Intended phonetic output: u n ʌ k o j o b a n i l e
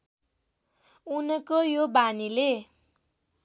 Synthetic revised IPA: u n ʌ k o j o b a n i l e